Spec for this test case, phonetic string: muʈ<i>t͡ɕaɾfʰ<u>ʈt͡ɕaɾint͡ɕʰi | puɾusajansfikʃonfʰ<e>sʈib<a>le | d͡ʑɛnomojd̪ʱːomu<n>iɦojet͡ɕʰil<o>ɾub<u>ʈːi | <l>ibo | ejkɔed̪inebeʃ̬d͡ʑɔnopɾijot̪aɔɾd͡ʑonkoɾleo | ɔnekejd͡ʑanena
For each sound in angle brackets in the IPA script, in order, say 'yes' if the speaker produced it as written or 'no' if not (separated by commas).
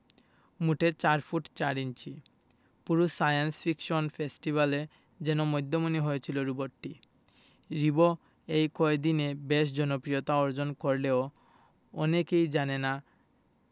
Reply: no, yes, yes, yes, yes, yes, no, no